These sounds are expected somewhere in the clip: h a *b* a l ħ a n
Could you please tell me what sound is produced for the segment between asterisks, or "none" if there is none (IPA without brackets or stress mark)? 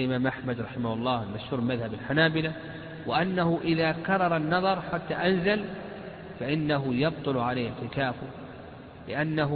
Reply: b